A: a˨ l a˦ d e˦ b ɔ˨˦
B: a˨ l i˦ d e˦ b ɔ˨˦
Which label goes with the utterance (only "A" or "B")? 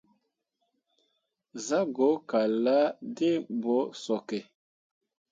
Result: A